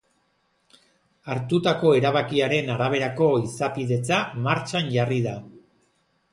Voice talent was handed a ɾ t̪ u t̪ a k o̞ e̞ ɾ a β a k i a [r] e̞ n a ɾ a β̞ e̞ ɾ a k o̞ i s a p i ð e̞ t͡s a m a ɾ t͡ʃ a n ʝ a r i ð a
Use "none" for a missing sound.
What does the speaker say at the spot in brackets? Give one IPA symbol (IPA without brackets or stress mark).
ɾ